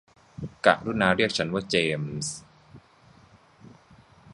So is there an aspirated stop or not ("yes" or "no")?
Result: yes